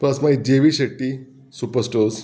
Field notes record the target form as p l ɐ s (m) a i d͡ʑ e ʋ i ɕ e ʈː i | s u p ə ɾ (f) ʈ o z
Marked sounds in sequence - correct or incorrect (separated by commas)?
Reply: correct, incorrect